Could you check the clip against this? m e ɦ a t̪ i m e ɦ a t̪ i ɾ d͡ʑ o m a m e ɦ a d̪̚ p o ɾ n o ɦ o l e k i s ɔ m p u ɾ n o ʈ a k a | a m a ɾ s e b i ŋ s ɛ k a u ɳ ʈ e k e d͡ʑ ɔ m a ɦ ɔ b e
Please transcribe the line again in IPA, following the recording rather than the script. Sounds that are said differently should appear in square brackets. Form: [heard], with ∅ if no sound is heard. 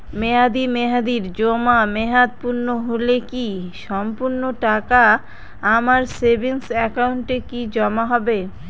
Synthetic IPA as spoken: m e ɦ a [d̪] i m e ɦ a [d̪] i ɾ d͡ʑ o m a m e ɦ a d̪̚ p [u] ɾ n o ɦ o l e k i [ʃ] ɔ m p u ɾ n o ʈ a k a | a m a ɾ s e b i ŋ s ɛ k a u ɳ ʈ e k [i] d͡ʑ ɔ m a ɦ ɔ b e